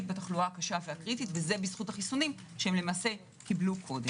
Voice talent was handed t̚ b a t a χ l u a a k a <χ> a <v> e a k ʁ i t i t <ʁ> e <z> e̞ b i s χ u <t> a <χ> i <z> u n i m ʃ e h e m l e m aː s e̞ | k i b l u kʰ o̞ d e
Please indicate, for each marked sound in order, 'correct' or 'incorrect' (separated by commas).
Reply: incorrect, correct, incorrect, correct, correct, correct, incorrect